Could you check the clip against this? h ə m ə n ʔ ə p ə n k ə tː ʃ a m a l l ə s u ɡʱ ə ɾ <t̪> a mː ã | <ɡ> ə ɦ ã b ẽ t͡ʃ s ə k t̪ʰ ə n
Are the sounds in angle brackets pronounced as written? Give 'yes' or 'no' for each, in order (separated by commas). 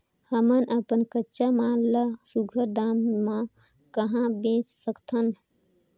no, no